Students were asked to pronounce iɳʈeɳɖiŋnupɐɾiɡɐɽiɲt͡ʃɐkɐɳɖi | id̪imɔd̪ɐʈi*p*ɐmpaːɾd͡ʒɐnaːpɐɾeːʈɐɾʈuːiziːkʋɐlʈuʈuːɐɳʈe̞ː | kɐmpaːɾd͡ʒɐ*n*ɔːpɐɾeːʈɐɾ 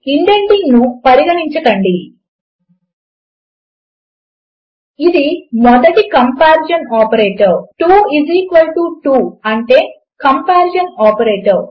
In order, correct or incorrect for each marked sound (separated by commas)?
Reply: incorrect, correct